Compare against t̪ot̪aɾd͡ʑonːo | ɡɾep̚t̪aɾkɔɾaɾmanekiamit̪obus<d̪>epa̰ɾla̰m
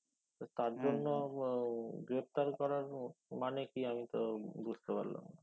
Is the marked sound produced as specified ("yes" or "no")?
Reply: no